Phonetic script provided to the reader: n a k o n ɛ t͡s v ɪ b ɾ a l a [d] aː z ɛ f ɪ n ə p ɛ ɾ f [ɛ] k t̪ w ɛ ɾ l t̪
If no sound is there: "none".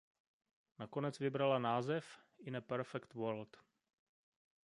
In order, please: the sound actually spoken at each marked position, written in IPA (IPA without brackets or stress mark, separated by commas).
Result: n, ɛ